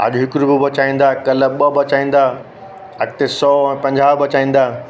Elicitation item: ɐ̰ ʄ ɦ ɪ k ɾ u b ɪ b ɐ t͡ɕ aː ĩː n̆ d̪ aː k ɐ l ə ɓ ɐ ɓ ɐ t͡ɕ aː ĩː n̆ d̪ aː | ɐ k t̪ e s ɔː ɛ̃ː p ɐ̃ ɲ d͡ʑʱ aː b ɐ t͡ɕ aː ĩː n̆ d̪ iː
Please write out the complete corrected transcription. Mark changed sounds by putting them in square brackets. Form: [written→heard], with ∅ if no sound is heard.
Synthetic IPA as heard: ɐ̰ ʄ ɦ ɪ k ɾ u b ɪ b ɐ t͡ɕ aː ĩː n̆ d̪ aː k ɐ l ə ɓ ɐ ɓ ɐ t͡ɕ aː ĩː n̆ d̪ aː | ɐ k t̪ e s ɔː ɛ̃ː p ɐ̃ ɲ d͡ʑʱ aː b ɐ t͡ɕ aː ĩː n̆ d̪ [iː→aː]